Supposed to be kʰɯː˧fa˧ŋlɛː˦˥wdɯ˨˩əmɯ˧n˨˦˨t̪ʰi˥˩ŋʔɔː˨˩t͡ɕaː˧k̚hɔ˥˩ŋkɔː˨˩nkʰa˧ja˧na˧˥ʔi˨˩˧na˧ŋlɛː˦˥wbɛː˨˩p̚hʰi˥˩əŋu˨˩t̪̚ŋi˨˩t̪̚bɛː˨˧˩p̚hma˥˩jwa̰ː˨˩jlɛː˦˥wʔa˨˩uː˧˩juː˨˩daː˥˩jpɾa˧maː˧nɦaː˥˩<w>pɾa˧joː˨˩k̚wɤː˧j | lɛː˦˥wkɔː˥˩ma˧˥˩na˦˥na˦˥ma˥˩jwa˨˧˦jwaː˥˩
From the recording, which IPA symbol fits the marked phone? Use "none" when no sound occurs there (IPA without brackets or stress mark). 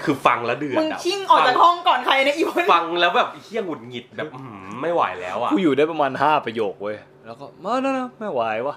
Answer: none